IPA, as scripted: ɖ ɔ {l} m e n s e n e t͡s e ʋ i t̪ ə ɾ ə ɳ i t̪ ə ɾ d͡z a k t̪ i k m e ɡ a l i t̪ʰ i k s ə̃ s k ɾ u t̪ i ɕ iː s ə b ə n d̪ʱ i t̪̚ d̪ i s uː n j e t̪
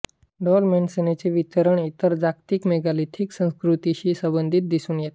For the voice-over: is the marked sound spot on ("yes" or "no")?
yes